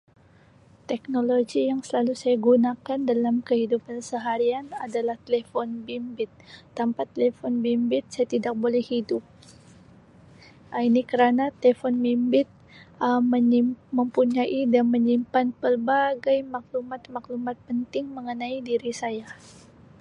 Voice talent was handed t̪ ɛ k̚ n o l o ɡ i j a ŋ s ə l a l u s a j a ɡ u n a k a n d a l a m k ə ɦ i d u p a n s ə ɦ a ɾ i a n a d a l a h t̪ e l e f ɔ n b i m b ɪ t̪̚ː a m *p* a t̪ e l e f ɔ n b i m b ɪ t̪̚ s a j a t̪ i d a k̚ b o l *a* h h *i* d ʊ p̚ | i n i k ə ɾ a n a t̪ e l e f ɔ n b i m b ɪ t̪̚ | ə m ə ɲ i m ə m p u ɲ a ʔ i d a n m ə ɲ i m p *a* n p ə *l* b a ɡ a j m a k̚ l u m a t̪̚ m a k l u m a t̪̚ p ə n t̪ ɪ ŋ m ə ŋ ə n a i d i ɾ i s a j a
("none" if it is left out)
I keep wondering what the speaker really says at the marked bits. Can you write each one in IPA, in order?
p, ɛ, i, a, r

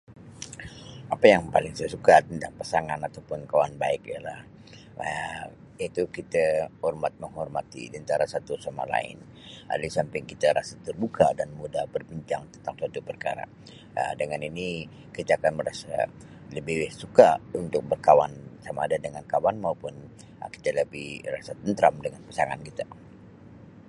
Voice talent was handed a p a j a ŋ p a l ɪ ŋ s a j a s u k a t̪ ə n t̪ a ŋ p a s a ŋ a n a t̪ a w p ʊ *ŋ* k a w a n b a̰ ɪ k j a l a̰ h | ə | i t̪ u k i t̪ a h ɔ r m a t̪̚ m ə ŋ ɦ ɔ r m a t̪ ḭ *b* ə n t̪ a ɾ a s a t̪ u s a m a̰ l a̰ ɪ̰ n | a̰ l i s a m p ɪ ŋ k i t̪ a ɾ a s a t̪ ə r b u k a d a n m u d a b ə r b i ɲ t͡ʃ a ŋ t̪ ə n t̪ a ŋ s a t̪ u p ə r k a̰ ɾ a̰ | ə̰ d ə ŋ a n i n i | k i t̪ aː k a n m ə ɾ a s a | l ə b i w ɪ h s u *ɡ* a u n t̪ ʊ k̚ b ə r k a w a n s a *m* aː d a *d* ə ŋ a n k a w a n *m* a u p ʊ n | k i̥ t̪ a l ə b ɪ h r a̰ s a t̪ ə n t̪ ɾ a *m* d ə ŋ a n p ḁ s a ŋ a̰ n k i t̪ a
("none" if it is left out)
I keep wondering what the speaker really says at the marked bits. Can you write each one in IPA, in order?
n, d, k, m, d, m, m

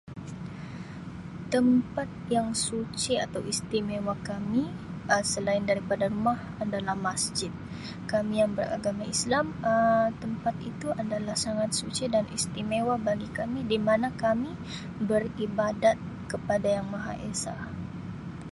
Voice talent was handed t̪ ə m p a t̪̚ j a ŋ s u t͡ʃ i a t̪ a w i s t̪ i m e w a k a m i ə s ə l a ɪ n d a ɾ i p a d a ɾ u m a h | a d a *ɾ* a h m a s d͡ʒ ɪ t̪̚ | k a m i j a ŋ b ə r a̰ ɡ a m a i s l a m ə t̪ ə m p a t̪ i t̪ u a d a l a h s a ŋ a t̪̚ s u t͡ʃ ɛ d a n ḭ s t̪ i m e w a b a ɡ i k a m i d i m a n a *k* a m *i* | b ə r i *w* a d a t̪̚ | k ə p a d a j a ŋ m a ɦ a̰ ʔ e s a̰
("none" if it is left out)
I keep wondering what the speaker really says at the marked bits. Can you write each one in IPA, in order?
l, k, i, b

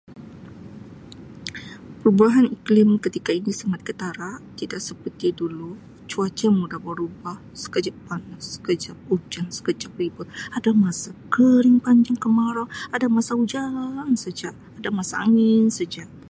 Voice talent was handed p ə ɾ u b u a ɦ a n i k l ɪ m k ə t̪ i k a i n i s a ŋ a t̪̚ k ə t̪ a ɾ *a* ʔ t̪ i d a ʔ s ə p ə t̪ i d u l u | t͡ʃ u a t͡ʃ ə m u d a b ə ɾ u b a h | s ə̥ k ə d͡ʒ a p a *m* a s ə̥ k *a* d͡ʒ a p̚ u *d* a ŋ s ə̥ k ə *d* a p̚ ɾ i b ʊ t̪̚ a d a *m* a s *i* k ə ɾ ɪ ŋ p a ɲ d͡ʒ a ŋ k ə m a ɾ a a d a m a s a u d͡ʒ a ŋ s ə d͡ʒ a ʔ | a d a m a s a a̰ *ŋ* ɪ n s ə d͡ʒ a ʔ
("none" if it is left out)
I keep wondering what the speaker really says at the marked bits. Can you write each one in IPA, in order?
a, n, ə, d͡ʒ, d͡ʒ, m, a, ŋ

